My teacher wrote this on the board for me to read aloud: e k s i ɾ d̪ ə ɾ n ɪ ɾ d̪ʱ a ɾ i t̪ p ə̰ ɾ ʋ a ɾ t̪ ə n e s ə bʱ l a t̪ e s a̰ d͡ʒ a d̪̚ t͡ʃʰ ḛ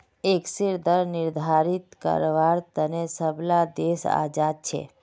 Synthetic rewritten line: e k s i ɾ d̪ ə ɾ n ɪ ɾ d̪ʱ a ɾ i t̪ k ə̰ ɾ ʋ a ɾ t̪ ə n e s ə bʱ l a d̪ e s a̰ d͡ʒ a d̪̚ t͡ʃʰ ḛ

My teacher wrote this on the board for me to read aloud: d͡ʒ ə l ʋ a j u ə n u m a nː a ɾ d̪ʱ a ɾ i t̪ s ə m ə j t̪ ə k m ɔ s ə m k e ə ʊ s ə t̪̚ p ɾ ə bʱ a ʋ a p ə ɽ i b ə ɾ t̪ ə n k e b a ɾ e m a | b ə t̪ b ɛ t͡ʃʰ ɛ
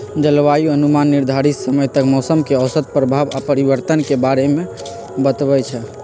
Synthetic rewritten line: d͡ʒ ə l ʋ a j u ə n u m a nː i ɾ d̪ʱ a ɾ i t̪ s ə m ə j t̪ ə k m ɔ s ə m k e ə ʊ s ə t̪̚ p ɾ ə bʱ a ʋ a p ə ɾ i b ə ɾ t̪ ə n k e b a ɾ e m e | b ə t̪ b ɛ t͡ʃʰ ɛ

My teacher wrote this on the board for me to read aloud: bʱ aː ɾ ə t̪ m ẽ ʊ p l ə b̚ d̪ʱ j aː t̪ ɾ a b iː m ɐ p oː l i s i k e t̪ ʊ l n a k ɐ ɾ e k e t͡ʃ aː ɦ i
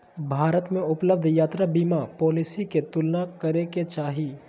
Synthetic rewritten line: bʱ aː ɾ ə t̪ m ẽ ʊ p l ə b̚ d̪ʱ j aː t̪ ɾ a b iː m a p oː l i s i k e t̪ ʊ l n a k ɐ ɾ e k e t͡ʃ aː ɦ i

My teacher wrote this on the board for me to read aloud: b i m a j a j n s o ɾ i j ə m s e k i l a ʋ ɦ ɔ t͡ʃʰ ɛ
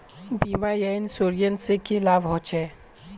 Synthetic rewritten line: b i m a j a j n s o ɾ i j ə n s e k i l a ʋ ɦ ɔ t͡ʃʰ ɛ

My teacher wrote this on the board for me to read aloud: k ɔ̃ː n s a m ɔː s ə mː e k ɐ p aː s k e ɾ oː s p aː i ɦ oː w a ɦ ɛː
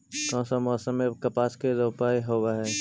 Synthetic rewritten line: k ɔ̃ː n s a m ɔː s ə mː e k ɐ p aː s k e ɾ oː p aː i ɦ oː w a ɦ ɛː

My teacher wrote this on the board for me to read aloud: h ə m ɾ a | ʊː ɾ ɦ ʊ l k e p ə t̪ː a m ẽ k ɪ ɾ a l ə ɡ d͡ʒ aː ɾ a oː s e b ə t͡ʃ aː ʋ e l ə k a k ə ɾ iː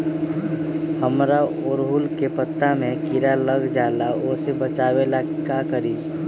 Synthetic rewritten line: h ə m ɾ a | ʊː ɾ ɦ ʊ l k e p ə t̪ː a m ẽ k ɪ ɾ a l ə ɡ d͡ʒ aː l a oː s e b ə t͡ʃ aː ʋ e l a k a k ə ɾ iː

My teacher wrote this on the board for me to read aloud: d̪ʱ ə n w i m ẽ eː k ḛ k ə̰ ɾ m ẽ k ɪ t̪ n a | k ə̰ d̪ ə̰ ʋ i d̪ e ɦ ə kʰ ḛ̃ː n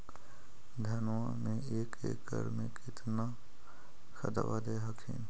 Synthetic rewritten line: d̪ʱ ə n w a m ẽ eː k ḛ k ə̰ ɾ m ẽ k ɪ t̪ n a | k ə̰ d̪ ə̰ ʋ a d̪ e ɦ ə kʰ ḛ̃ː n

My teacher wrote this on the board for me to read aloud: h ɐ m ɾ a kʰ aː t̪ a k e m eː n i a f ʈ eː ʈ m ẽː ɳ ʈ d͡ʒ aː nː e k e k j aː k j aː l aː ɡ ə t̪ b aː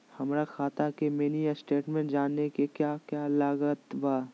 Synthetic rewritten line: h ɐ m ɾ a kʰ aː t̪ a k e m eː n i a s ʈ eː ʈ m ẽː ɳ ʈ d͡ʒ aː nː e k e k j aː k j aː l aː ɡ ə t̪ b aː

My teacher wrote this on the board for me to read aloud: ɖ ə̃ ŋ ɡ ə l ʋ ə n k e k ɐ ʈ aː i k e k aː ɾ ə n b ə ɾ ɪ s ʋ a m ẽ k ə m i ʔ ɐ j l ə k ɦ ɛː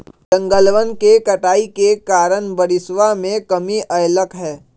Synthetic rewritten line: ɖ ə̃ ŋ ɡ ə l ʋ ə n k e k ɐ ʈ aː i k e k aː ɾ ə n b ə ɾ ɪ s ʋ a m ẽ k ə m i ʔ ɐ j l ə k ɦ ɛː

